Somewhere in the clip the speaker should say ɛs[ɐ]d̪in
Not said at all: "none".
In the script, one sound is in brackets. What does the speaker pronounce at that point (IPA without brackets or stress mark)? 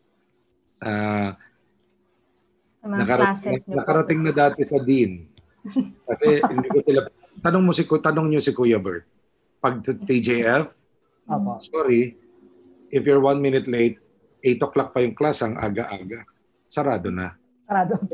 ɐ